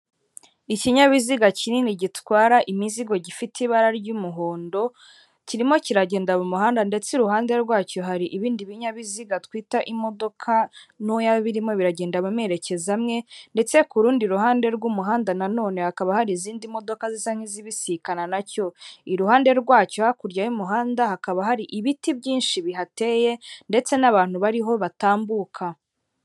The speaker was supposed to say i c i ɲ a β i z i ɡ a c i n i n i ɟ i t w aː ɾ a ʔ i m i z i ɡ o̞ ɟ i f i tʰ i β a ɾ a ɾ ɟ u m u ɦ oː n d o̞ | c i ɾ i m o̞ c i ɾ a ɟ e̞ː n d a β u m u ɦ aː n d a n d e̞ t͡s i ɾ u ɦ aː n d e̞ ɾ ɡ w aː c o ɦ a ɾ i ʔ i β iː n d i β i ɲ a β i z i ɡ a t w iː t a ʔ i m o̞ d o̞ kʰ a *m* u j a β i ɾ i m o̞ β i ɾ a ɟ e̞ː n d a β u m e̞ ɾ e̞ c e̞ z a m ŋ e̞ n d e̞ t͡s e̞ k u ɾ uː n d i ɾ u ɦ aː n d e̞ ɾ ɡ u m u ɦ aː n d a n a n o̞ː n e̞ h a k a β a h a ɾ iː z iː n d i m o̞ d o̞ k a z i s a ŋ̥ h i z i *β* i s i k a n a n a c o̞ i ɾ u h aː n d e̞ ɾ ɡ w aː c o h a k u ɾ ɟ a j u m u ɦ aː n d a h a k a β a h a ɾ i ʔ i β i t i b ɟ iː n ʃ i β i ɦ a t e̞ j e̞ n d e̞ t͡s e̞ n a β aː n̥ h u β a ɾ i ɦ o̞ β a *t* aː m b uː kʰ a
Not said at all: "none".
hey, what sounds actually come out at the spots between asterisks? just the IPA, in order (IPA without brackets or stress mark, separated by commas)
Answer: n, β, t